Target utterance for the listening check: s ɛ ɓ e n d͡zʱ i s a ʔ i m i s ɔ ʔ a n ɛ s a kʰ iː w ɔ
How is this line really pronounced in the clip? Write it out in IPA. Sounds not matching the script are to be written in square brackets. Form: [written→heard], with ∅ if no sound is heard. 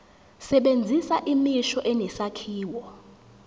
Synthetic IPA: s ɛ ɓ e n d͡zʱ i s a ʔ i m i [s→ʃ] ɔ ʔ [a→ɛ] n ɛ s a kʰ iː w ɔ